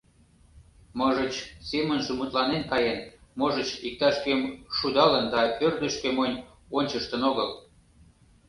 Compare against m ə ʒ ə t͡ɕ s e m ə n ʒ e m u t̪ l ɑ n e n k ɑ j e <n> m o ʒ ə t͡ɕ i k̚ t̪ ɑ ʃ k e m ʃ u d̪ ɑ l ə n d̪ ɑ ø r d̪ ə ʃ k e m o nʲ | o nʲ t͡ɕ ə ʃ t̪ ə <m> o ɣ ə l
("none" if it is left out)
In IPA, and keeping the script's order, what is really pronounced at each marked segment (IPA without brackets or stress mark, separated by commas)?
n, n